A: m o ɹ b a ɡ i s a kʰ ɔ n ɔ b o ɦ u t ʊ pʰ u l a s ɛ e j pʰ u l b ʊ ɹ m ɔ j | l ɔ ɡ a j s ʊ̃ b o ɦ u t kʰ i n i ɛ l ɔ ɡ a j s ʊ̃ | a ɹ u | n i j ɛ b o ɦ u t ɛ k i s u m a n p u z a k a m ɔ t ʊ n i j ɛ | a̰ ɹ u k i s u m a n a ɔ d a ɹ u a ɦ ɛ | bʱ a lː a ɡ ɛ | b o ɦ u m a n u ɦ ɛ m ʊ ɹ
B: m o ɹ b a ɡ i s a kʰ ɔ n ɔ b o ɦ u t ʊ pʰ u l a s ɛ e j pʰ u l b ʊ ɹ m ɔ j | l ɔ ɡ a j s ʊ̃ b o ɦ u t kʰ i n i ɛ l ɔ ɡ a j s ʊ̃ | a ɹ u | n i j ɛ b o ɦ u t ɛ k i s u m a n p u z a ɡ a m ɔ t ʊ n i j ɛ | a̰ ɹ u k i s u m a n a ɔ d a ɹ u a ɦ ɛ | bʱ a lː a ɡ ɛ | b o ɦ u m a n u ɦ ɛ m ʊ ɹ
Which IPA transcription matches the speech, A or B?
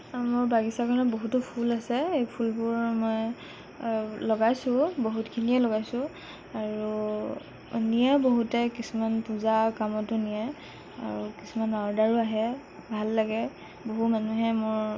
A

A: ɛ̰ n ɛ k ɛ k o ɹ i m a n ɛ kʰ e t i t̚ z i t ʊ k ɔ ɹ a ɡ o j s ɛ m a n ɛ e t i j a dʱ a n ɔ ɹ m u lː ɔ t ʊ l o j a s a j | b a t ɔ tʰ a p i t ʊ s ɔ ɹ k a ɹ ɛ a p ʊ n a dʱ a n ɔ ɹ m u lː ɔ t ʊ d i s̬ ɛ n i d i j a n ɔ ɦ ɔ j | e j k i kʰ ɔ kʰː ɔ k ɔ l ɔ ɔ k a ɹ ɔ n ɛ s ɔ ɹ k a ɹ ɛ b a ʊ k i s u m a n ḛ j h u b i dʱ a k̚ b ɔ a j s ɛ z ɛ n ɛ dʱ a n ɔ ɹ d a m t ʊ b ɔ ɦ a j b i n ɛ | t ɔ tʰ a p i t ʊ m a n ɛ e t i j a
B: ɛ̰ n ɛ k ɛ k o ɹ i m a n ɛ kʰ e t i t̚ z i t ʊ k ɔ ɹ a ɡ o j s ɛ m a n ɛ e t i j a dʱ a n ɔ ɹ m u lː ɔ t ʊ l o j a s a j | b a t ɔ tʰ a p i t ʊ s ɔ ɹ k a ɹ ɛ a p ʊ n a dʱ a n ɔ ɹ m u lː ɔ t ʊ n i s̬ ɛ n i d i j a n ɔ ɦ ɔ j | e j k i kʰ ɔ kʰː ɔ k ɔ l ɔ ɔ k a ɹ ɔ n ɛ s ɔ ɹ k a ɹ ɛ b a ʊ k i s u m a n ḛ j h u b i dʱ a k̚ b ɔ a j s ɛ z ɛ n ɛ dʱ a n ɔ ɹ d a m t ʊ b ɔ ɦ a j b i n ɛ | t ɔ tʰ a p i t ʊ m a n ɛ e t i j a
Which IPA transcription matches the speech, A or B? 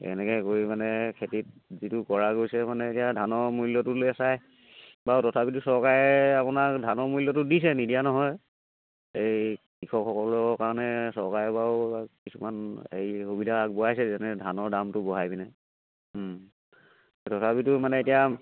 A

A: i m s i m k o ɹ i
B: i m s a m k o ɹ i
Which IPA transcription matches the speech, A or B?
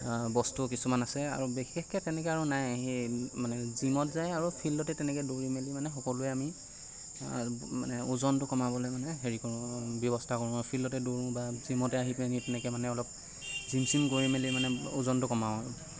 A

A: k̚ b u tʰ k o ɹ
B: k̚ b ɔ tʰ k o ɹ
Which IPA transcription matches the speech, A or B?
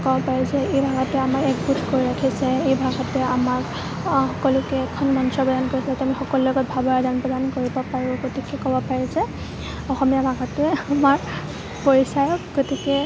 A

